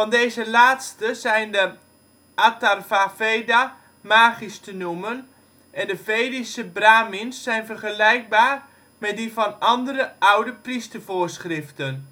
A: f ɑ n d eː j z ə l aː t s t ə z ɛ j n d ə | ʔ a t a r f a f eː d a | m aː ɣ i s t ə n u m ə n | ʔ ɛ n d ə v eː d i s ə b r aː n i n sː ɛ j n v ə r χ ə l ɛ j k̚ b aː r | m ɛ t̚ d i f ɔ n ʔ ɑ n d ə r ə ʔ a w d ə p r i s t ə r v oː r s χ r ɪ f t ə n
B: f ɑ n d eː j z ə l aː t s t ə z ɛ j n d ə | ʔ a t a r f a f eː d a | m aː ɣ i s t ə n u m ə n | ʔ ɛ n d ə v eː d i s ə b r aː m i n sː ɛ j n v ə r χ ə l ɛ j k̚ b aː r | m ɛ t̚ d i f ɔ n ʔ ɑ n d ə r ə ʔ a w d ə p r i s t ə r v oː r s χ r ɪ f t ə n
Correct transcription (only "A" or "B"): B